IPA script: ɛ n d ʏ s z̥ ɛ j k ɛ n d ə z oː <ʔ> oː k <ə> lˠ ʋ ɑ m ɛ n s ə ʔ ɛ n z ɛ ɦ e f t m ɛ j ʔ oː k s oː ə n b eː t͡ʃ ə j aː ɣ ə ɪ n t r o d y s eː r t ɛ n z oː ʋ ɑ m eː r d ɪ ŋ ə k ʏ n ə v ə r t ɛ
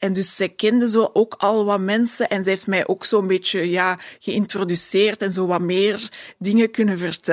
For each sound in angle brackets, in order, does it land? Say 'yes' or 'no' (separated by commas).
yes, no